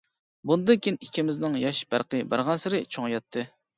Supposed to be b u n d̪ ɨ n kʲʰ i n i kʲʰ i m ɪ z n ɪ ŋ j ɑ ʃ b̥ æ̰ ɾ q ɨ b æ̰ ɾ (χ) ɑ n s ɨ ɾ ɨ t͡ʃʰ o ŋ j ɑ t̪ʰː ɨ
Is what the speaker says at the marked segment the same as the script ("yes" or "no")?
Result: no